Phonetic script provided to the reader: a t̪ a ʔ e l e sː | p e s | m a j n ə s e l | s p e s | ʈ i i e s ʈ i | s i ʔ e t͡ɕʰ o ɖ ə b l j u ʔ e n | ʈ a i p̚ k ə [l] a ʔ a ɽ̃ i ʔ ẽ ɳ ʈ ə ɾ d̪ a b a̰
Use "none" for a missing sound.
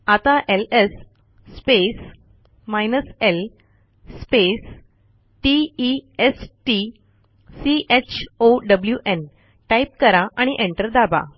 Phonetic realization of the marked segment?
ɾ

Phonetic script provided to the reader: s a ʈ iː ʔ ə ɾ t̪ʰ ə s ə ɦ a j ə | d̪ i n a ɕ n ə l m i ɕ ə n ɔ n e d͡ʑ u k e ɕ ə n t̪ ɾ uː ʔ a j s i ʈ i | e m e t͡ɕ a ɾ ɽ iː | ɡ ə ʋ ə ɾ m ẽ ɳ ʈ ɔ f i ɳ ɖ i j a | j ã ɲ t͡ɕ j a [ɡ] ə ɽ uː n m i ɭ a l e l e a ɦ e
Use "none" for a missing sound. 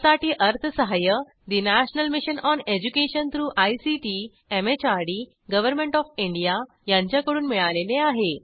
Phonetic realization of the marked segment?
k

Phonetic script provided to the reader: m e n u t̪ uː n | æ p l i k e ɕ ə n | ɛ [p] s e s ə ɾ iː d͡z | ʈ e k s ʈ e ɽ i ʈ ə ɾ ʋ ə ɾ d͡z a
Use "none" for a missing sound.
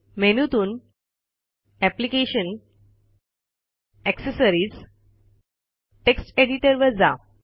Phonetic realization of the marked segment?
k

